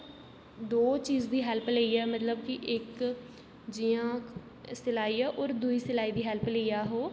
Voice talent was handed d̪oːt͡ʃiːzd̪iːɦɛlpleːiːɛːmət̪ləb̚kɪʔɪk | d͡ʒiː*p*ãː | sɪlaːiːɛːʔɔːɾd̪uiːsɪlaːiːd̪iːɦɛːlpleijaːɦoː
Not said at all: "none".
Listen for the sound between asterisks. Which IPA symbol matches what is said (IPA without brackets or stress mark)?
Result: none